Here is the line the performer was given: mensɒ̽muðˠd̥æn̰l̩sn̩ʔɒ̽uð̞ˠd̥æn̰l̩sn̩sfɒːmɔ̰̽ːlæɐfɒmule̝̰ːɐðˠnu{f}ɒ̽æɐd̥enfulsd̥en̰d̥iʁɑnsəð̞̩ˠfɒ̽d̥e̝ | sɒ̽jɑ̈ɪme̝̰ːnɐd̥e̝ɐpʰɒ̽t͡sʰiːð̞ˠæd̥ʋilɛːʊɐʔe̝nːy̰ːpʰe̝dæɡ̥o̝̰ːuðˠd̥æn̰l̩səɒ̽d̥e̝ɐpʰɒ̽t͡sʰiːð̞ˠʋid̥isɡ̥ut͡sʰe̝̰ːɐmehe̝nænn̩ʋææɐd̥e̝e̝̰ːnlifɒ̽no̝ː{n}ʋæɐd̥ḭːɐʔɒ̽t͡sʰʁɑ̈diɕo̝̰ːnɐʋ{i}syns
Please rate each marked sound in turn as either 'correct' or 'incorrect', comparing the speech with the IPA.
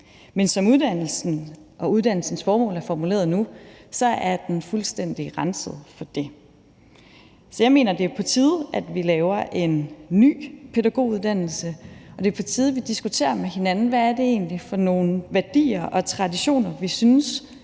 incorrect: s, correct, correct

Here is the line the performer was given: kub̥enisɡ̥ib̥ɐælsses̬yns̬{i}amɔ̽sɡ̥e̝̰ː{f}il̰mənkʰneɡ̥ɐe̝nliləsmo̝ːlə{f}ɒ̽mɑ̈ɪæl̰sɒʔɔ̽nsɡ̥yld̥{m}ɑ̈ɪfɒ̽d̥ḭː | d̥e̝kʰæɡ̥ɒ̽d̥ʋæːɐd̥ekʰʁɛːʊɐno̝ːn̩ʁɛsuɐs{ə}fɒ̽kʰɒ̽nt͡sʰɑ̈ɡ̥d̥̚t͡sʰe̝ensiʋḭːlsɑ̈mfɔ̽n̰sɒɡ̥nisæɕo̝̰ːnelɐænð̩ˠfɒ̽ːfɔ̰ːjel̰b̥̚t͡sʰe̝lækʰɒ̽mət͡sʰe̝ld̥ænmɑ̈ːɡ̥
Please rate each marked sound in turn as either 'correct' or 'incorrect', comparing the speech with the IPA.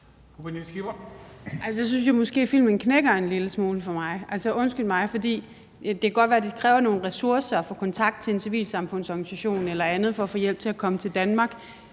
incorrect: j, correct, correct, correct, incorrect: ɐ

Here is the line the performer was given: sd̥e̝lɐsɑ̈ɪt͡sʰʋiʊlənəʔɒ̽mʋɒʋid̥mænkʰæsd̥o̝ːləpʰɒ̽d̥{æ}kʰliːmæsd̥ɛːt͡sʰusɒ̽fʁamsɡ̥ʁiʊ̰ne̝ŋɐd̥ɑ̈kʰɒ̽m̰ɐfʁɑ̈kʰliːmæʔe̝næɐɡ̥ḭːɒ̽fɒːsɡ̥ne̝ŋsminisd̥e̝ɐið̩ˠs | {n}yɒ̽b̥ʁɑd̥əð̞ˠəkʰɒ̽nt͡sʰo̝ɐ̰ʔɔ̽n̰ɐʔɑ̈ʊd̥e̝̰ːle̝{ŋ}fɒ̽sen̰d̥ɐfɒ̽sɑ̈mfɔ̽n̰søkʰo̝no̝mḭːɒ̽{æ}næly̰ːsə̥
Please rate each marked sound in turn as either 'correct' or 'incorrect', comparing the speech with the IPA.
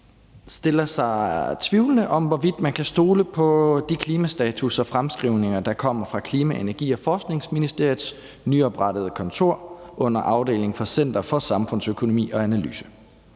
incorrect: i, correct, correct, correct

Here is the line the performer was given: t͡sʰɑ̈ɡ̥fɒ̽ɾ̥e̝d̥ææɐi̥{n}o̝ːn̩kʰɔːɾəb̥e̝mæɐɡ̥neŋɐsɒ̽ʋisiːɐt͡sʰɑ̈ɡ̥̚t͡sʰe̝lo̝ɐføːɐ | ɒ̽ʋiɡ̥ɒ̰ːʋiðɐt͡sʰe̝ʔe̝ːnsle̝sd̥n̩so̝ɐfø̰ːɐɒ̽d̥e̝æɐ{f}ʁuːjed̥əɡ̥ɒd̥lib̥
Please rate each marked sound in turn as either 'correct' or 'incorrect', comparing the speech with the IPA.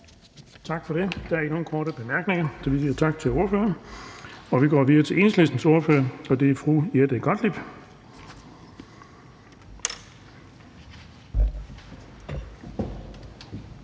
correct, correct

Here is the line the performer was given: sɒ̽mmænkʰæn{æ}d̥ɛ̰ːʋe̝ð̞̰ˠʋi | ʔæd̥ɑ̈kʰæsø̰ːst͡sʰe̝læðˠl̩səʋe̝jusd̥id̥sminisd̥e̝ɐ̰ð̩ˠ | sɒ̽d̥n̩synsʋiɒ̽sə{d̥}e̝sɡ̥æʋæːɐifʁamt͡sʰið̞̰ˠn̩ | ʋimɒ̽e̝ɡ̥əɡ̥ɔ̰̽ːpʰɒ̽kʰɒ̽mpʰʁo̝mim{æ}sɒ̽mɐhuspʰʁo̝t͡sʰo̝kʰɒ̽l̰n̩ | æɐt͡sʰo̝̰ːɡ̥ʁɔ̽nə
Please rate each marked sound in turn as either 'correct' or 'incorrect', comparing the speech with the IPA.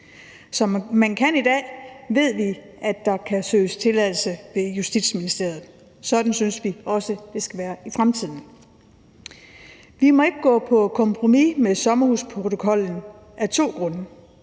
incorrect: i, correct, incorrect: e

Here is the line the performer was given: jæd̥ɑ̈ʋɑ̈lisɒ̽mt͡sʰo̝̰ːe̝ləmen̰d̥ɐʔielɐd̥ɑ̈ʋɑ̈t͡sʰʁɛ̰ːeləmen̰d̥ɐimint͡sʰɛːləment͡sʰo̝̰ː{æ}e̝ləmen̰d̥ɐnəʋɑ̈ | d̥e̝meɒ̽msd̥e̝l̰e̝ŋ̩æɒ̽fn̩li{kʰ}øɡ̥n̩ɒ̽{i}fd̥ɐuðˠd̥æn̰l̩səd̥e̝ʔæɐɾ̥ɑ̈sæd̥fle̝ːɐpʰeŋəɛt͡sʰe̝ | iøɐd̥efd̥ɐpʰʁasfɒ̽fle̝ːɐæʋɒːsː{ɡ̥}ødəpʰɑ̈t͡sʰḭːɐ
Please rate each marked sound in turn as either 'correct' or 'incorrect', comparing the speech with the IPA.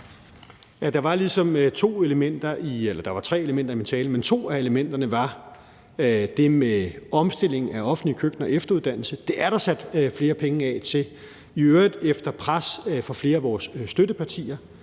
correct, correct, incorrect: e, incorrect: d̥

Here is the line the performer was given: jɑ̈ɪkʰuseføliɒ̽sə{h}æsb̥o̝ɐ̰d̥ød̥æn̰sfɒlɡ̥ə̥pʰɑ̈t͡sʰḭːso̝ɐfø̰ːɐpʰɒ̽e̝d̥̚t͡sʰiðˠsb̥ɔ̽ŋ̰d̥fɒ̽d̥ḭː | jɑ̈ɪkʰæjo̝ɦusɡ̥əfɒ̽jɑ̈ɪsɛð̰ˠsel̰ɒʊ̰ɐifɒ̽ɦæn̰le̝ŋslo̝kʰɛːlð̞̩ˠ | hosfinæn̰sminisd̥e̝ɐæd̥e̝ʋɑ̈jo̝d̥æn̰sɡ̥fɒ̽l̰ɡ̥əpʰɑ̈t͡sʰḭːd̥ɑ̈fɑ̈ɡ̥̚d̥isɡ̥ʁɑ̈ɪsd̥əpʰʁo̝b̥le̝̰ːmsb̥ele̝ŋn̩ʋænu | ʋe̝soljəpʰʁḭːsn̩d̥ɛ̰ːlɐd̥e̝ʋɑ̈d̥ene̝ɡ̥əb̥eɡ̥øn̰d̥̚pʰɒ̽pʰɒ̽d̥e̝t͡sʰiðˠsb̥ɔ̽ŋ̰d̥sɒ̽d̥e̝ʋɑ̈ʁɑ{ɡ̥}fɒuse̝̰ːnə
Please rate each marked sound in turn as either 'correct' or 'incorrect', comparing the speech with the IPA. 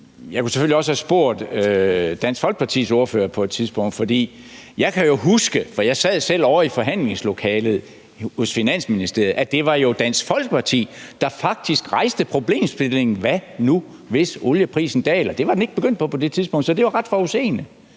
correct, incorrect: d̥

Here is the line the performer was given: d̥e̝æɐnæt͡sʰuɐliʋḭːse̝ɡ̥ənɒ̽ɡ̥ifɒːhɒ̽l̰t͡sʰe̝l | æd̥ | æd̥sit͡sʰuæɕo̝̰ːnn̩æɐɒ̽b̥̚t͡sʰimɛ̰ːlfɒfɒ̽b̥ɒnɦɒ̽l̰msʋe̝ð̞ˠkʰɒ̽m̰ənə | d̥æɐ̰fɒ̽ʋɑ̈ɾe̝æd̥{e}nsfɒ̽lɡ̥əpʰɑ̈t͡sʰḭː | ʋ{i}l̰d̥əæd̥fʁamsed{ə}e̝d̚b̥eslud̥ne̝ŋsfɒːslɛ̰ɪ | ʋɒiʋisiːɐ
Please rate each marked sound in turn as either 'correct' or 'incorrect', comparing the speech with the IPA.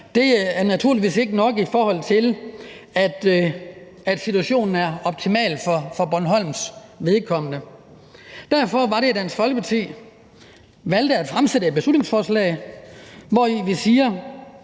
incorrect: æ, incorrect: æ, correct

